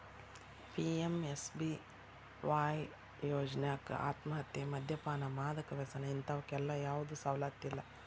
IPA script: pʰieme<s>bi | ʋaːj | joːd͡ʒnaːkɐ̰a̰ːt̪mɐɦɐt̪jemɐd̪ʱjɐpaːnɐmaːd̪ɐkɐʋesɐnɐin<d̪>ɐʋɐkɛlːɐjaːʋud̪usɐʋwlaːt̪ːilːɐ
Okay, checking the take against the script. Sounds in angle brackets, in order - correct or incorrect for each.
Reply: correct, incorrect

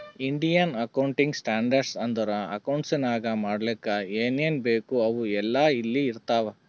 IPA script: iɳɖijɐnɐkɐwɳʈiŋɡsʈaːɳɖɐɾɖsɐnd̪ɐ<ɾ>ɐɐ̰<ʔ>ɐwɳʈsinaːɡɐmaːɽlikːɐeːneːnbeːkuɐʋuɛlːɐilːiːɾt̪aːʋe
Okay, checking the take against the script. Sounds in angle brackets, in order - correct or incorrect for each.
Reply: correct, incorrect

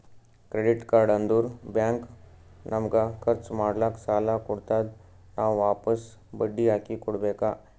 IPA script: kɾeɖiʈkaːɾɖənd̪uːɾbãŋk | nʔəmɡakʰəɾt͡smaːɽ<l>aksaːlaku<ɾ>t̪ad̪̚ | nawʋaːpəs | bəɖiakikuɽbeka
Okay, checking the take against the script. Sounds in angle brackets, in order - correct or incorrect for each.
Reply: correct, incorrect

